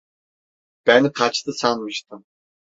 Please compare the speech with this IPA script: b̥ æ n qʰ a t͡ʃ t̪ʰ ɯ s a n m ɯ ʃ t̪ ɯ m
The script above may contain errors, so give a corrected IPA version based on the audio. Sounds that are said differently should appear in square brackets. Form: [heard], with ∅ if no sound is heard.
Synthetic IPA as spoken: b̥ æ n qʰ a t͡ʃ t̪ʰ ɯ s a n m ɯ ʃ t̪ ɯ m